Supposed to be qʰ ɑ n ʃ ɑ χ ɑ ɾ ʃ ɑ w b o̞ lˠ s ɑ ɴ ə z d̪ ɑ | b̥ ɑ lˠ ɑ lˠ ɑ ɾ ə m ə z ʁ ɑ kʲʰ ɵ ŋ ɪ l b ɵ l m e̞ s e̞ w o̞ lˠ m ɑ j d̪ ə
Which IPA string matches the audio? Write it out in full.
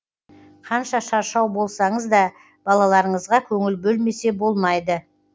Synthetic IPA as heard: qʰ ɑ n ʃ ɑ ʃ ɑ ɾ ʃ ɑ w b o̞ lˠ s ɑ ɴ ə z d̪ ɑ | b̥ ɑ lˠ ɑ lˠ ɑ ɾ ə ɴ ə z ʁ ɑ kʲʰ ɵ ŋ ɪ l b ɵ l m e̞ s e̞ b o̞ lˠ m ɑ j d̪ ə